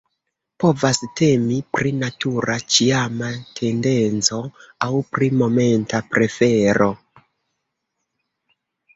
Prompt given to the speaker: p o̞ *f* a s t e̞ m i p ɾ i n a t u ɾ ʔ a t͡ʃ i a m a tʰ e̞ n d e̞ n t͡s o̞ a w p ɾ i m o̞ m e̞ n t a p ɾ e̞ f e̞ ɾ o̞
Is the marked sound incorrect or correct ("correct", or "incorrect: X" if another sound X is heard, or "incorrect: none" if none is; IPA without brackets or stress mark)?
incorrect: v